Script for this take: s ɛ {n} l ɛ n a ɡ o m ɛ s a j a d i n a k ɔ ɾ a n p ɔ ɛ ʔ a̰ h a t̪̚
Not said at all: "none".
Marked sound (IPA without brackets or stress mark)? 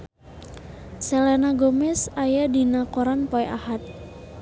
none